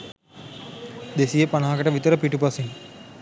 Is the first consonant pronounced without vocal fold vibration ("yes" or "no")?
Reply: no